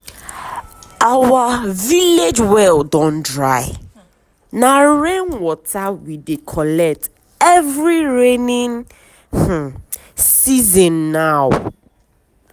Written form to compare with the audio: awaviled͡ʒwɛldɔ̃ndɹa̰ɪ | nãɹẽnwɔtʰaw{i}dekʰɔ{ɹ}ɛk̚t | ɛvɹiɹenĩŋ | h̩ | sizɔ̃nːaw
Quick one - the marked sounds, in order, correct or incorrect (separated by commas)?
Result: correct, incorrect